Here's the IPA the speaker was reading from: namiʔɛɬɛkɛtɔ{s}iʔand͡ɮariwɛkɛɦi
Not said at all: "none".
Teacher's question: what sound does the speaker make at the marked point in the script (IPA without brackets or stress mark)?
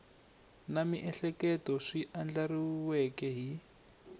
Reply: ʂ